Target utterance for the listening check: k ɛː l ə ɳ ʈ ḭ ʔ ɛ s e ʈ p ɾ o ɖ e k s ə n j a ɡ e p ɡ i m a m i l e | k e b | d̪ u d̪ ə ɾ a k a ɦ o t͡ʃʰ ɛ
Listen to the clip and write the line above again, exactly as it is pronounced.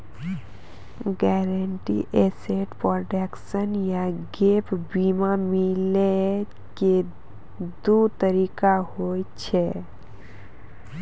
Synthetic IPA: ɡ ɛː ɾ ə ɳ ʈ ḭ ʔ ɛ s e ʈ p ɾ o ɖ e k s ə n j a ɡ e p b i m a m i l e | k e | d̪ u t̪ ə ɾ i k a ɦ o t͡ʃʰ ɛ

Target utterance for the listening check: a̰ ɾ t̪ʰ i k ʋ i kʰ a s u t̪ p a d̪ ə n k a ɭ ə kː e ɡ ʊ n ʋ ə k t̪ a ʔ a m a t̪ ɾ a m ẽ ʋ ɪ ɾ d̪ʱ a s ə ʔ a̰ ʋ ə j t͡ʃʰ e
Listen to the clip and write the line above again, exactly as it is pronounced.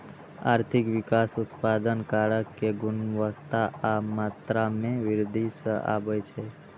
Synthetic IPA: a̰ ɾ t̪ʰ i k ʋ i k a s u t̪ p a d̪ ə n k a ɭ ə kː e ɡ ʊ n ʋ ə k t̪ a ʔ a m a t̪ ɾ a m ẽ ʋ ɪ ɾ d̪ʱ i s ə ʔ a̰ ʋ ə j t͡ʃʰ e

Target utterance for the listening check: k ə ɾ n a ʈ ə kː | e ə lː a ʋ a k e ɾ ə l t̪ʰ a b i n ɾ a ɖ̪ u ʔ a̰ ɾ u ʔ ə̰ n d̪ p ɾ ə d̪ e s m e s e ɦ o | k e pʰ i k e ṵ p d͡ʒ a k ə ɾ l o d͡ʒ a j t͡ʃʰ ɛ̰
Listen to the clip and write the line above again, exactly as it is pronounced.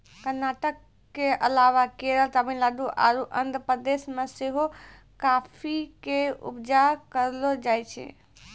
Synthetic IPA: k ə ɾ n a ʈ ə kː | e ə l a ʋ a k e ɾ ə l t̪ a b i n l a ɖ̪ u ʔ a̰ ɾ u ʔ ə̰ n d̪ p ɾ ə d̪ e s m e s e ɦ o | k a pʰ i k e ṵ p d͡ʒ a k ə ɾ l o d͡ʒ a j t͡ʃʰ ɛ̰

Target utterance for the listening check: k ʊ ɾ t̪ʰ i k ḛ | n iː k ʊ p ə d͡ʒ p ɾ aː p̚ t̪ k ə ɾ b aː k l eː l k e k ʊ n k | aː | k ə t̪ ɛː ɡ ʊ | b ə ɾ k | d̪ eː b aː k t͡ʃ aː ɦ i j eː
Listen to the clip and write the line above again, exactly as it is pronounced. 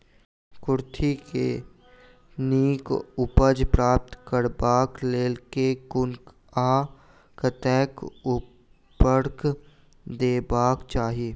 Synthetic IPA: k ʊ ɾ t̪ʰ i k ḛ | n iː k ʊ p ə d͡ʒ p ɾ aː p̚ t̪ k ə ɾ b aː k l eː l k e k ʊ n k | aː | k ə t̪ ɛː k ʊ | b ə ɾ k | d̪ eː b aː k t͡ʃ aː ɦ i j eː

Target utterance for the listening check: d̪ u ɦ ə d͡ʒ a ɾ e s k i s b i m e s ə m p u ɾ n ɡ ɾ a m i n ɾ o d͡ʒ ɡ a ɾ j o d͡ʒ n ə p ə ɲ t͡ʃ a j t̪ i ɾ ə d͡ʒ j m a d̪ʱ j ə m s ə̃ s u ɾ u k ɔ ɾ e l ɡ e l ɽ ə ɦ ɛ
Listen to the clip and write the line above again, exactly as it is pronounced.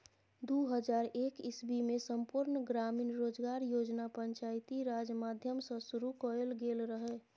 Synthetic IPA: d̪ u ɦ ə d͡ʒ a ɾ e k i s b i m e s ə m p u ɾ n ɡ ɾ a m i n ɾ o d͡ʒ ɡ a ɾ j o d͡ʒ n a p ə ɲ t͡ʃ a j t̪ i ɾ a d͡ʒ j m a d̪ʱ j ə m s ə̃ s u ɾ u k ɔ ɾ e l ɡ e l ɾ ə ɦ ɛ

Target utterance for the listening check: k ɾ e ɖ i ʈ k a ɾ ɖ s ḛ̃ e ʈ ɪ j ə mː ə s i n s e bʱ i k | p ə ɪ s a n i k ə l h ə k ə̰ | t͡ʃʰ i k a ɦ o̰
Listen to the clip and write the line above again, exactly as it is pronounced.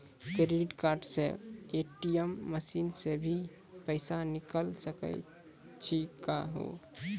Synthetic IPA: k ɾ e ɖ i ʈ k a ɾ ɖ s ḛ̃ e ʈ i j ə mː ə s i n s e bʱ i | p ə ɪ s a n i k ə l s ə k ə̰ | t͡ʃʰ i k a ɦ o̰

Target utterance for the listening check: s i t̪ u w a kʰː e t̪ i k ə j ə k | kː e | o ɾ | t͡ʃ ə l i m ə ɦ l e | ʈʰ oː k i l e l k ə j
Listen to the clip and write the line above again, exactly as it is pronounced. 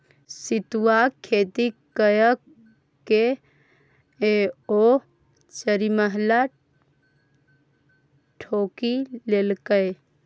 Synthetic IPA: s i t̪ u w a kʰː e t̪ i k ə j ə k | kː e | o | t͡ʃ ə ɾ i m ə ɦ l a | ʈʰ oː k i l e l k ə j

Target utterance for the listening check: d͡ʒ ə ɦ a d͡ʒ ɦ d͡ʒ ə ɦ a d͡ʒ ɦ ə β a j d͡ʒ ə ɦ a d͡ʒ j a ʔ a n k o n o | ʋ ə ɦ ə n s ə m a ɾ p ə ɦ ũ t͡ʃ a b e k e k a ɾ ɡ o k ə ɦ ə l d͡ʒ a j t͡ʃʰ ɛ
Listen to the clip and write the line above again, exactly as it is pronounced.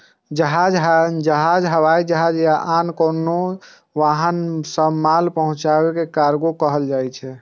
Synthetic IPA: d͡ʒ ə ɦ a d͡ʒ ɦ d͡ʒ ə ɦ a d͡ʒ ɦ ə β a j d͡ʒ ə ɦ a d͡ʒ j a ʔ a n k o n o | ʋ a ɦ ə n s ə m a l p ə ɦ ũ t͡ʃ a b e k e k a ɾ ɡ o k ə ɦ ə l d͡ʒ a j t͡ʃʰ ɛ

